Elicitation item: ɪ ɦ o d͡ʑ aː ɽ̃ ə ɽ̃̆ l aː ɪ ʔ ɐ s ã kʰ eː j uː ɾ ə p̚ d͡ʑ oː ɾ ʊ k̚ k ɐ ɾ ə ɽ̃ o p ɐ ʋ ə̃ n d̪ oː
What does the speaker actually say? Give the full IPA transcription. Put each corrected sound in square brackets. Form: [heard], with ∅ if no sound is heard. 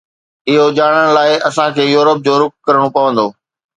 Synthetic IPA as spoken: ɪ ɦ o d͡ʑ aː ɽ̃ ə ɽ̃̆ l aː ɪ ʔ ɐ s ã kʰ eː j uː ɾ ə p̚ d͡ʑ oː ɾ ʊ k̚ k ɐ ɾ ə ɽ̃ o p ɐ ʋ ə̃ n d̪ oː